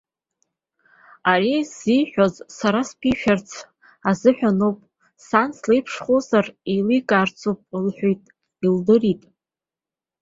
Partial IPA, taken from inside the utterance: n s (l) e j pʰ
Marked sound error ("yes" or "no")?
no